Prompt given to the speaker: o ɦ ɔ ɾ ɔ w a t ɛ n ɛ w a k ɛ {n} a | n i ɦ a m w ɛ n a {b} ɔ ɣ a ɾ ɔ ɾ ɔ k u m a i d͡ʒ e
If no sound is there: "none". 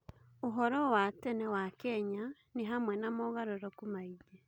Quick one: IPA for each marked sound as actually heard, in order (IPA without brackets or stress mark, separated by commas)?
ɲ, m